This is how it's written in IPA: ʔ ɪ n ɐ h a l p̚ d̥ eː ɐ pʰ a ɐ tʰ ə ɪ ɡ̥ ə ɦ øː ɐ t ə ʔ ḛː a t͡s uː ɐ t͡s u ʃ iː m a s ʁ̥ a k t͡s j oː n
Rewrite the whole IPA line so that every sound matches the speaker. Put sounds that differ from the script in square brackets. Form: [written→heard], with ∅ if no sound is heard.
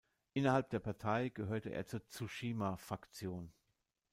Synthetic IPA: ʔ ɪ n ɐ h a l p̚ d̥ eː ɐ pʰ a ɐ tʰ [ə→a] ɪ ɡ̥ ə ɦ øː ɐ t ə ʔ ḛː [a→ɐ] t͡s uː ɐ t͡s u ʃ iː m a [s→f] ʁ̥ a k t͡s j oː n

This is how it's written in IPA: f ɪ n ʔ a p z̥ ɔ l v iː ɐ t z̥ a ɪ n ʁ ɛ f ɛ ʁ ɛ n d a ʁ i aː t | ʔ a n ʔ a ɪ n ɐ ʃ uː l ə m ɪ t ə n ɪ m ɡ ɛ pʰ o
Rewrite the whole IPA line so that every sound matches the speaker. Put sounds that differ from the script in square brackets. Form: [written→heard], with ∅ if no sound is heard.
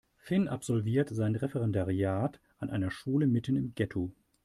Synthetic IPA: f ɪ n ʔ a p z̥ ɔ l v iː ɐ t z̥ a ɪ n ʁ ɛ f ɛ ʁ ɛ n d a ʁ i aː t | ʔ a n ʔ a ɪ n ɐ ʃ uː l ə m ɪ t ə n ɪ m ɡ ɛ [pʰ→tʰ] o

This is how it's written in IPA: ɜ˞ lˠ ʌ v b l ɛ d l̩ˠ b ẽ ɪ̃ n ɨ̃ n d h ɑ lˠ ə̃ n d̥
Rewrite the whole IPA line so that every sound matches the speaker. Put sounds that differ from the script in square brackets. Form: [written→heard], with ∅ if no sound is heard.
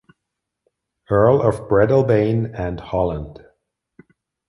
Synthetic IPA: ɜ˞ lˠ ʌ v b [l→ɹ] ɛ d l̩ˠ b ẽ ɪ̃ n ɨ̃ n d h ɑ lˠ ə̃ n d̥

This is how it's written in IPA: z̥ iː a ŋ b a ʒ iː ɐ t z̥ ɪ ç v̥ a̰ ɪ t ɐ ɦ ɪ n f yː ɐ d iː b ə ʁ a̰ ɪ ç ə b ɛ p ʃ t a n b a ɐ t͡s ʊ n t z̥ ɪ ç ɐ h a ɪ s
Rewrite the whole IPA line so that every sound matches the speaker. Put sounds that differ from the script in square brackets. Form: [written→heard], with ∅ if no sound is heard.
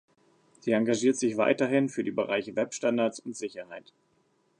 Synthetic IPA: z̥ iː a ŋ [b→ɡ] a ʒ iː ɐ t z̥ ɪ ç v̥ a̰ ɪ t ɐ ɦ ɪ n f yː ɐ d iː b ə ʁ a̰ ɪ ç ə [b→v] ɛ p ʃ t a n [b→d] a ɐ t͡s ʊ n t z̥ ɪ ç ɐ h a ɪ [s→t]

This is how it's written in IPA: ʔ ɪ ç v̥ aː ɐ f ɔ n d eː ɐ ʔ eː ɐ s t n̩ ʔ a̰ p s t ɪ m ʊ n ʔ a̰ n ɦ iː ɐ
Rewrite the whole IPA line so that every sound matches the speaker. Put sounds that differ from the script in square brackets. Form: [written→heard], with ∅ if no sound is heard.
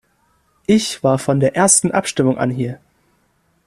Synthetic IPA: ʔ ɪ ç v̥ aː ɐ f ɔ n d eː ɐ ʔ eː ɐ s t n̩ ʔ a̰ p [s→ʃ] t ɪ m ʊ [n→ŋ] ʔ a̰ n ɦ iː ɐ

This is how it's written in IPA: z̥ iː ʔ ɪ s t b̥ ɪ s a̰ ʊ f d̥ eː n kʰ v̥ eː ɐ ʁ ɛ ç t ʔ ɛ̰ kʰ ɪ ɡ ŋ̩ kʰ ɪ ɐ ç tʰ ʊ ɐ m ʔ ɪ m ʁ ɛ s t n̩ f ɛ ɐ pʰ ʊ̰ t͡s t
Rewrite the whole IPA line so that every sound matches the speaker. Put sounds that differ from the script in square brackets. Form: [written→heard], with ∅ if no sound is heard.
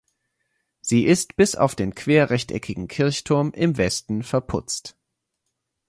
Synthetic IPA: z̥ iː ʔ ɪ s t b̥ ɪ s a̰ ʊ f d̥ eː n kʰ v̥ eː ɐ ʁ ɛ ç t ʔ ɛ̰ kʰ ɪ ɡ ŋ̩ kʰ ɪ ɐ ç tʰ ʊ ɐ m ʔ ɪ m [ʁ→v] ɛ s t n̩ f ɛ ɐ pʰ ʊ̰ t͡s t

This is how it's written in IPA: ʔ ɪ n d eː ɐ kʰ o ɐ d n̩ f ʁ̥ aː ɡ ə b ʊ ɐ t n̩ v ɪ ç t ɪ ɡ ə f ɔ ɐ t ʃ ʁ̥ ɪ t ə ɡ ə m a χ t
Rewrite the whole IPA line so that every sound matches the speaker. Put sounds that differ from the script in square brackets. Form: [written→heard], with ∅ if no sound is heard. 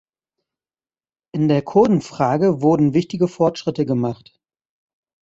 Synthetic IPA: ʔ ɪ n d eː ɐ kʰ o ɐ d n̩ f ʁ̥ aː ɡ ə [b→v] ʊ ɐ [t→d] n̩ v ɪ ç t ɪ ɡ ə f ɔ ɐ t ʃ ʁ̥ ɪ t ə ɡ ə m a χ t

